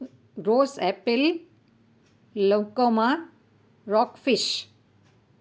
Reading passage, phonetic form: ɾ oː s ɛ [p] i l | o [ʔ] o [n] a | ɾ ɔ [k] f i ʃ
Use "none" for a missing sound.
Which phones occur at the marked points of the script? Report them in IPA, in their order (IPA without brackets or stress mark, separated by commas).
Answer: p, k, m, k